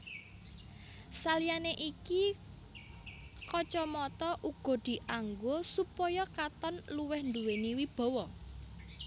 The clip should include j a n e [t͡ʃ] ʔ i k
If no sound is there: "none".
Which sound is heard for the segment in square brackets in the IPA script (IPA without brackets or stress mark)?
none